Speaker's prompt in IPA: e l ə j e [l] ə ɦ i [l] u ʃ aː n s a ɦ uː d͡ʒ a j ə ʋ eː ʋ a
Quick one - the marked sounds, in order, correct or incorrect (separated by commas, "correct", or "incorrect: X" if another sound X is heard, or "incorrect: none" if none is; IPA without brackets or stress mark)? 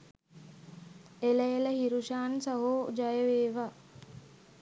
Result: correct, incorrect: ɾ